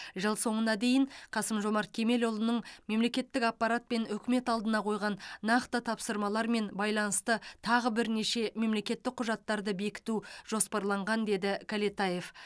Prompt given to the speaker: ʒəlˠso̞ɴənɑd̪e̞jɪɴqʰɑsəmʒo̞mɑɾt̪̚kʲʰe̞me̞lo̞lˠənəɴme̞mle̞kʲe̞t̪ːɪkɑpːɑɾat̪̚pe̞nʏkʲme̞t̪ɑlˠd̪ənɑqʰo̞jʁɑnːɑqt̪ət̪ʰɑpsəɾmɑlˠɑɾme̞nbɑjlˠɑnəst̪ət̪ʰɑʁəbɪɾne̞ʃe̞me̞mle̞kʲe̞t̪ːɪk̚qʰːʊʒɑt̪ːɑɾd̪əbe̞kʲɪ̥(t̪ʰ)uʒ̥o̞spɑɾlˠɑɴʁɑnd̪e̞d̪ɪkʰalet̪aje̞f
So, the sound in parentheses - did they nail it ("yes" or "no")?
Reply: no